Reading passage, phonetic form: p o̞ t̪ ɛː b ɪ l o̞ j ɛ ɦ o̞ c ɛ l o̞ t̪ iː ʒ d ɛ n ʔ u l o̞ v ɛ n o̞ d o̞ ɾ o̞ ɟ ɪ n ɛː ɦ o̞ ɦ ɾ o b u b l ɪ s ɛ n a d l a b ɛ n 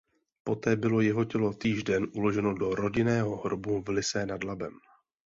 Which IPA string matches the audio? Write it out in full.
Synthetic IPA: p o̞ t̪ ɛː b ɪ l o̞ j ɛ ɦ o̞ c ɛ l o̞ t̪ iː ʒ d ɛ n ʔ u l o̞ ʒ ɛ n o̞ d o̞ ɾ o̞ ɟ ɪ n ɛː ɦ o̞ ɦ ɾ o b u v l ɪ s ɛ n a d l a b ɛ m

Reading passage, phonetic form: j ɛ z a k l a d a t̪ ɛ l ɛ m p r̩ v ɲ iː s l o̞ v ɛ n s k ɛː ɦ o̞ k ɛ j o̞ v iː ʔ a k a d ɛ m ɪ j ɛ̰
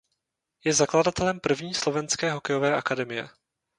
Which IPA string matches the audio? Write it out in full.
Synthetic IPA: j ɛ z a k l a d a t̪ ɛ l ɛ m p r̩ v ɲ iː s l o̞ v ɛ n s k ɛː ɦ o̞ k ɛ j o̞ v ɛː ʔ a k a d ɛ m ɪ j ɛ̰

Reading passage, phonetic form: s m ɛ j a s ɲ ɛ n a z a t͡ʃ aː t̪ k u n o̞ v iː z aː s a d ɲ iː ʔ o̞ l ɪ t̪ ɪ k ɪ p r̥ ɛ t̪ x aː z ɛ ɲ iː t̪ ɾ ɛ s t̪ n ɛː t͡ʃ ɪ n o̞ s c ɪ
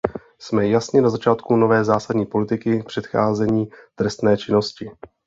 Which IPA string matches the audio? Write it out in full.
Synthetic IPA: s m ɛ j a s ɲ ɛ n a z a t͡ʃ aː t̪ k u n o̞ v ɛː z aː s a d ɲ iː p o̞ l ɪ t̪ ɪ k ɪ p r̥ ɛ t̪ x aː z ɛ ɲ iː t̪ ɾ ɛ s t̪ n ɛː t͡ʃ ɪ n o̞ s c ɪ

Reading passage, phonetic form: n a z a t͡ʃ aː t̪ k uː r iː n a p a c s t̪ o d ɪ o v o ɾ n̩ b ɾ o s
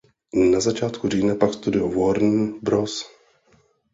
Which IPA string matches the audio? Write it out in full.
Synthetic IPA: n a z a t͡ʃ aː t̪ k u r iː n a p a k s t̪ u d ɪ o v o ɾ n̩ b ɾ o s

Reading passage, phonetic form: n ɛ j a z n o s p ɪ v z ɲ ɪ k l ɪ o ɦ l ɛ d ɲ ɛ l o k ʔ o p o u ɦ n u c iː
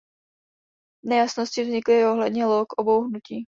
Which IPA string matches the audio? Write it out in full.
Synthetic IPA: n ɛ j a s n o s c ɪ v z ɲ ɪ k l ɪ o ɦ l ɛ d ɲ ɛ l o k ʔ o b o w ɦ n u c iː

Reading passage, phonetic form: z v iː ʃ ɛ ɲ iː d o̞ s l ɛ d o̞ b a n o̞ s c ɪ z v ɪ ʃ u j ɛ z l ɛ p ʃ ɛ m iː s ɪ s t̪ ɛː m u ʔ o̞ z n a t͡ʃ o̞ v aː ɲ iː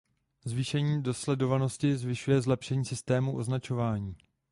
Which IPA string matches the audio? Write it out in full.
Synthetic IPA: z v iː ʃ ɛ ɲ iː d o̞ s l ɛ d o̞ v a n o̞ s c ɪ z v ɪ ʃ u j ɛ z l ɛ p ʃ ɛ ɲ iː s ɪ s t̪ ɛː m u ʔ o̞ z n a t͡ʃ o̞ v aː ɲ iː

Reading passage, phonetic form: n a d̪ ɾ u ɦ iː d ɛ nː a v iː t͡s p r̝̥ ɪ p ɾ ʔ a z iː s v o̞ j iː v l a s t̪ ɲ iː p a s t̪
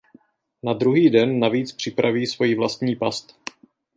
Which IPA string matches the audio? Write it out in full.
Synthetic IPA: n a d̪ ɾ u ɦ iː d ɛ nː a v iː t͡s p r̝̥ ɪ p ɾ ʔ a v iː s v o̞ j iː v l a s t̪ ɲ iː p a s t̪

